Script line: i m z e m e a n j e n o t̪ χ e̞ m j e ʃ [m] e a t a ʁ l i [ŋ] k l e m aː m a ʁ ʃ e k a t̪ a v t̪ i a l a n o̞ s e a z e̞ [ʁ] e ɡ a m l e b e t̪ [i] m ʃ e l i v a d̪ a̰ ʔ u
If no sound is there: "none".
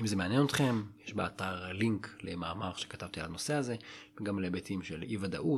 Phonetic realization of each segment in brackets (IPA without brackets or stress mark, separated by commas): b, ŋ, v, i